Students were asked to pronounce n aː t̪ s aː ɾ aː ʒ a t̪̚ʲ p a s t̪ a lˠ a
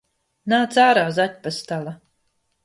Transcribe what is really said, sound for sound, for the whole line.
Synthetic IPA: n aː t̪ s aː ɾ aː z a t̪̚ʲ p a s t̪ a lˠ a